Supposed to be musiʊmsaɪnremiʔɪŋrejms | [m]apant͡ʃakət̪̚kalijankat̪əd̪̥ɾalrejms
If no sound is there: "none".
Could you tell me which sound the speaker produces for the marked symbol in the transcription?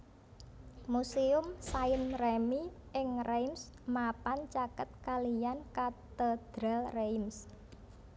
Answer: m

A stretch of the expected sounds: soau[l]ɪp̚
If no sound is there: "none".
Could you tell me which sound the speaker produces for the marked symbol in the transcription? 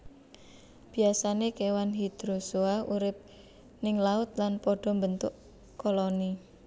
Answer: ɾ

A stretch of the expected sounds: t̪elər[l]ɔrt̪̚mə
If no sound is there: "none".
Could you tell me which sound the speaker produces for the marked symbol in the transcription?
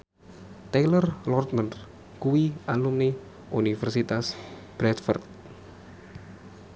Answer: l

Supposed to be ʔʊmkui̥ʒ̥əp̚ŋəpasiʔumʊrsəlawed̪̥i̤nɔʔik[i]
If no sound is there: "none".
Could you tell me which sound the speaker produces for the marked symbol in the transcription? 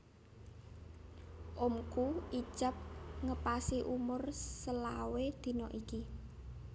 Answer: i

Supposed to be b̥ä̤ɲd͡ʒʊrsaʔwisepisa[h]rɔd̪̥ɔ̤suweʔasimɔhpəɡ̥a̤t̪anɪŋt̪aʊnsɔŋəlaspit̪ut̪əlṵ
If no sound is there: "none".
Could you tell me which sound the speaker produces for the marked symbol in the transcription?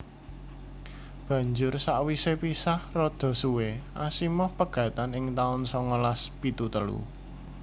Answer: h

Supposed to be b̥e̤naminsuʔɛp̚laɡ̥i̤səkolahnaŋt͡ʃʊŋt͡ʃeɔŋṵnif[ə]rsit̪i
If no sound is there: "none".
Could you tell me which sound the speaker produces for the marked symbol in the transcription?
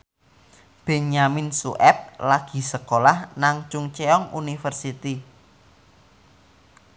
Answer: ə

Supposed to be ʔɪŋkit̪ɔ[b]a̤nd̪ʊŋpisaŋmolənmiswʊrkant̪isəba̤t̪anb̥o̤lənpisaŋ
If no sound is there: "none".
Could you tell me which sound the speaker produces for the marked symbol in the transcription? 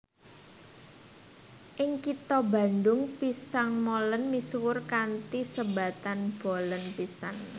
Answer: b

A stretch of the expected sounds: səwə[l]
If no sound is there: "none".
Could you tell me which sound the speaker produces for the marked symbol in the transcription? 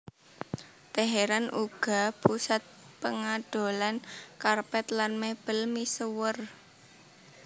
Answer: r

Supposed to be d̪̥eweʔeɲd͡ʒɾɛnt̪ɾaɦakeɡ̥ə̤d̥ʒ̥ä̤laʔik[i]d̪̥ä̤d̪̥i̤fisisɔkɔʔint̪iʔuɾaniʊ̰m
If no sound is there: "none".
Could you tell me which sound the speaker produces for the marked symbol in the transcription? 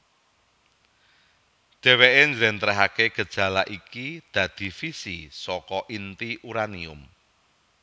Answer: i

